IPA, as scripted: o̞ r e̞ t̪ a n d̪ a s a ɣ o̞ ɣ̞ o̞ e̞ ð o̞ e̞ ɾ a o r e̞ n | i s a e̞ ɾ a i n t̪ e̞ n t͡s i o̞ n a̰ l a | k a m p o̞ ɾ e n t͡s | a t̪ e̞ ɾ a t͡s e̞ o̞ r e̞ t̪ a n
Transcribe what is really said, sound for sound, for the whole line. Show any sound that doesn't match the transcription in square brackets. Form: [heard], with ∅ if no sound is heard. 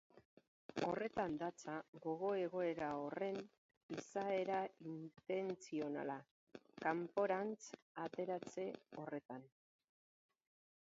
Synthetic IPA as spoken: o̞ r e̞ t̪ a n d̪ a [t͡s] a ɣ o̞ ɣ̞ o̞ e̞ [ɣ] o̞ e̞ ɾ a o r e̞ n | i s a e̞ ɾ a i n t̪ e̞ n t͡s i o̞ n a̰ l a | k a m p o̞ ɾ [a] n t͡s | a t̪ e̞ ɾ a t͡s e̞ o̞ r e̞ t̪ a n